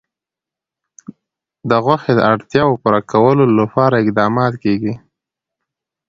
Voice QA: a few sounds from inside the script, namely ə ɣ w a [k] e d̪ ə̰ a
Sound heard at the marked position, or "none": x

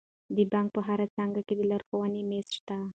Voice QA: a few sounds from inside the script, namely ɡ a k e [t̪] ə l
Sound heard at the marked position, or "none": d̪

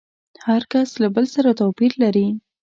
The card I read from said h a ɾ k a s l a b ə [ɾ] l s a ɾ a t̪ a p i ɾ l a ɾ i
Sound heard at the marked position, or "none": none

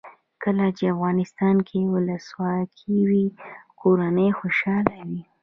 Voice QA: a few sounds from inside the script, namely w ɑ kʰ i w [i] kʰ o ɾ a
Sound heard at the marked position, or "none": i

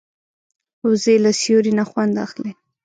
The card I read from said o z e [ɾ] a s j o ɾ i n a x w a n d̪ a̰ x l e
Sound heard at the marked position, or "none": l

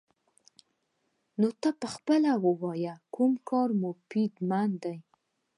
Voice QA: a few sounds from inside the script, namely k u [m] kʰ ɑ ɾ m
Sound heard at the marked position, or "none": m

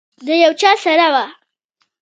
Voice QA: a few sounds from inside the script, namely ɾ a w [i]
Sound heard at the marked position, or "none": a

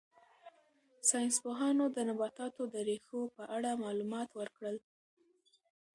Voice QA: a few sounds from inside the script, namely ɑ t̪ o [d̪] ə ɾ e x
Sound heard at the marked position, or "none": d̪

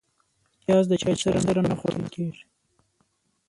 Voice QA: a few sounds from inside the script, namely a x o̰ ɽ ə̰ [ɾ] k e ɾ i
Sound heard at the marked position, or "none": l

